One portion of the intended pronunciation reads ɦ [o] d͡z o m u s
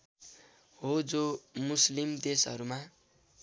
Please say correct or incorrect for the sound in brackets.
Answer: correct